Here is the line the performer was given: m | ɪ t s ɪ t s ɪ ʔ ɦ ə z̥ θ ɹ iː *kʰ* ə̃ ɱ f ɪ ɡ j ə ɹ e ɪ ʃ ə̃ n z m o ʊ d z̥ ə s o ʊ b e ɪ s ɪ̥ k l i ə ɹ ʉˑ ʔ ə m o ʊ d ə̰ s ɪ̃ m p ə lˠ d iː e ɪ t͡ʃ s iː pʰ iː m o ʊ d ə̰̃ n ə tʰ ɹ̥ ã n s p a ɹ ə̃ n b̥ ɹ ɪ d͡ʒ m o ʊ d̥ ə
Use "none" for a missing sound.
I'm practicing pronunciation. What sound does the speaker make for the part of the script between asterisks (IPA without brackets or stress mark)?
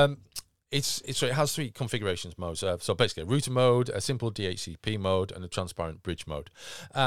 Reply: kʰ